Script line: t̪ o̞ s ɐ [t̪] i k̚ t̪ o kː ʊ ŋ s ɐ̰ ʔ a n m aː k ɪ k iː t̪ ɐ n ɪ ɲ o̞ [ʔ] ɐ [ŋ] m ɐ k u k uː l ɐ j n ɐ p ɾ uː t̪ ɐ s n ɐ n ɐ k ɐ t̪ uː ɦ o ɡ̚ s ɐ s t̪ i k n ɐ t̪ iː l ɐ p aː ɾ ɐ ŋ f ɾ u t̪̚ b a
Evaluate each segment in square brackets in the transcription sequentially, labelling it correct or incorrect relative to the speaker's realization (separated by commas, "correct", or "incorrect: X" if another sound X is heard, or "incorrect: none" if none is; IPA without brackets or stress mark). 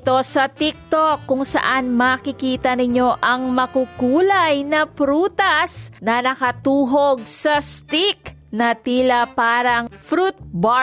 correct, correct, correct